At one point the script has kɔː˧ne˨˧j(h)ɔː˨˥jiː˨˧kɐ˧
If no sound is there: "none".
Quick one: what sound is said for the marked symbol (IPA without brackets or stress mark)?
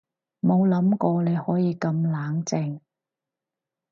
h